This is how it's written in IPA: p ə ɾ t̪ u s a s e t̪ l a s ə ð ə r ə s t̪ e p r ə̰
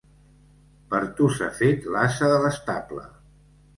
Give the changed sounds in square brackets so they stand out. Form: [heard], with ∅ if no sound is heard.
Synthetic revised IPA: p ə ɾ t̪ u s a [f] e t̪ l a s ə ð ə [l] ə s t̪ [a] p [l] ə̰